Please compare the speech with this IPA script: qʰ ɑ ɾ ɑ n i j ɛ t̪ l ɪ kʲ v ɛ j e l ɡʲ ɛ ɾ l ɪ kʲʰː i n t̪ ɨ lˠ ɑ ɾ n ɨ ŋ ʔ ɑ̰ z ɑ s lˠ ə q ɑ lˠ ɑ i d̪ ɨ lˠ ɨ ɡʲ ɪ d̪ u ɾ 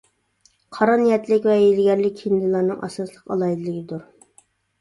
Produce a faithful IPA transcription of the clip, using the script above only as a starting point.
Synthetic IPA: qʰ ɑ ɾ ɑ n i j ɛ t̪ l ɪ kʲ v ɛ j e l ɡʲ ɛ ɾ l ɪ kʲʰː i n d̪ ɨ lˠ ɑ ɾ n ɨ ŋ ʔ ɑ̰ s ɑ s lˠ ə q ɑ lˠ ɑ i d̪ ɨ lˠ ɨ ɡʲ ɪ d̪ u ɾ